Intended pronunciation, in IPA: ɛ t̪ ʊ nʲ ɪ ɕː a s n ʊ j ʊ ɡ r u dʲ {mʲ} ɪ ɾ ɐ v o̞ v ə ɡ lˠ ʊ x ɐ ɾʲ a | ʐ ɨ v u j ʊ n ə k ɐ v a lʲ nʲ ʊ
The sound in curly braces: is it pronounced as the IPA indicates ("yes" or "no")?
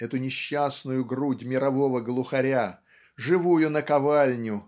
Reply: yes